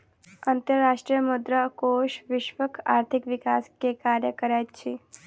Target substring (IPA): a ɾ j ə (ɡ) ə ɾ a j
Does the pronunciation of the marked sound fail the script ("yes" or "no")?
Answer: yes